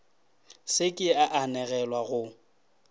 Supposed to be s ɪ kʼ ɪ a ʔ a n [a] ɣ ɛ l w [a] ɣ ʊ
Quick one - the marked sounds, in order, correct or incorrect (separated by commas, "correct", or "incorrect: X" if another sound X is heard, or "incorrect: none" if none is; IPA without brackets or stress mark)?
incorrect: ɛ, correct